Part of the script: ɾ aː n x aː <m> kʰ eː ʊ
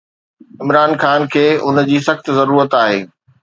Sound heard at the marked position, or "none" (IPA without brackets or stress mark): n